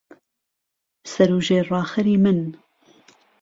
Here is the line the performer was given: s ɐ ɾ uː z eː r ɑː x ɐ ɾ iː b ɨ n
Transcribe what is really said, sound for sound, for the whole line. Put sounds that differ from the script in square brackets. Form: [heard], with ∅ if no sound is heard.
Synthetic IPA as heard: s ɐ ɾ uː [ʒ] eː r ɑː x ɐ ɾ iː [m] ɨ n